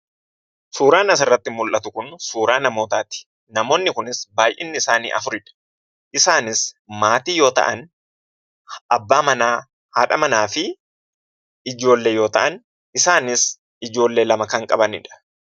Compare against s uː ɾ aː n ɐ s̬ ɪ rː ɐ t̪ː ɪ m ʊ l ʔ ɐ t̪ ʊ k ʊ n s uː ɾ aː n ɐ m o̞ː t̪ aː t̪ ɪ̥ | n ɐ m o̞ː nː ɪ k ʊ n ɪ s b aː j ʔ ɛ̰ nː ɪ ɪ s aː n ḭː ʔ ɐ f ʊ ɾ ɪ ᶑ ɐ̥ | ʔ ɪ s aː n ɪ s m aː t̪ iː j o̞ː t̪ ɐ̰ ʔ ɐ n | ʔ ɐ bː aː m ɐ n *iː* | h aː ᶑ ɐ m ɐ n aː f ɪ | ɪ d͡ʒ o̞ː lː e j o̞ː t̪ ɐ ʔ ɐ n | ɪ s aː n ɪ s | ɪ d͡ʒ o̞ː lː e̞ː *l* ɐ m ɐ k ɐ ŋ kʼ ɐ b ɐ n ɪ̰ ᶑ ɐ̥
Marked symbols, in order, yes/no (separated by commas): no, yes